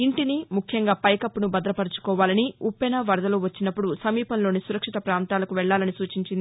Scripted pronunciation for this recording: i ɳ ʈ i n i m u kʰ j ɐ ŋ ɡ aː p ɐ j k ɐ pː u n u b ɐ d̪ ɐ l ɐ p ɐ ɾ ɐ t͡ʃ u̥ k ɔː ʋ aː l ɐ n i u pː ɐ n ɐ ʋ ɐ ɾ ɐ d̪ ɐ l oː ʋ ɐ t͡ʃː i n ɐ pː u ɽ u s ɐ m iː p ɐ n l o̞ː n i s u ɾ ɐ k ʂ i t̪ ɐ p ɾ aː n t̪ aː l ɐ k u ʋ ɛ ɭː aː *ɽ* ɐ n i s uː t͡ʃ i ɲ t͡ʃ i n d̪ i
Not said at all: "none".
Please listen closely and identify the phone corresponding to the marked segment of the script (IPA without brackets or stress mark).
l